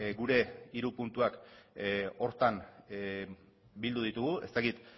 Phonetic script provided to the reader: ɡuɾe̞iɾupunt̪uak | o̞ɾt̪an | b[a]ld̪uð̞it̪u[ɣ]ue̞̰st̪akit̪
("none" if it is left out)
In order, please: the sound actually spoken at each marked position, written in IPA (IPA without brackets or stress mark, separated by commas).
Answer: i, ɣ